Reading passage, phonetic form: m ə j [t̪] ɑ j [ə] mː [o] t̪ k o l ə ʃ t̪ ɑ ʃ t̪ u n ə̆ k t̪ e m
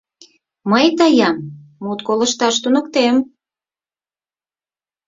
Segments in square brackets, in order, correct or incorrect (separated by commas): correct, incorrect, incorrect